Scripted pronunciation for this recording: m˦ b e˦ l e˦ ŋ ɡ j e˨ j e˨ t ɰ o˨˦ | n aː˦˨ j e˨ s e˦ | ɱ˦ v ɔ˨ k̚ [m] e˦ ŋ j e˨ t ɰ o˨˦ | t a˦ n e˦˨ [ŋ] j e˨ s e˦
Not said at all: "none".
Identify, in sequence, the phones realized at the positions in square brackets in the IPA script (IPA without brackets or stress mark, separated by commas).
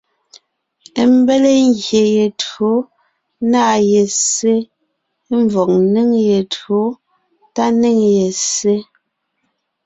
n, ŋ